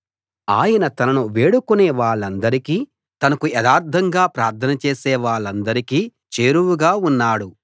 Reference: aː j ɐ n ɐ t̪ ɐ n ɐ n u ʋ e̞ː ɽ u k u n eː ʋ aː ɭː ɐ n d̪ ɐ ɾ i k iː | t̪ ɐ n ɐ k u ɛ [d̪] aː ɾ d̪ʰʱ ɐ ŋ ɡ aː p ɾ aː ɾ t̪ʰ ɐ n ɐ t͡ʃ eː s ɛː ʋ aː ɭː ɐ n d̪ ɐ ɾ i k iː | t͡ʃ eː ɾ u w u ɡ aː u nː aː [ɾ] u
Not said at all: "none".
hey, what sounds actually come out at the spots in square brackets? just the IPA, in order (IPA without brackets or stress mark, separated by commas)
d̪, ɽ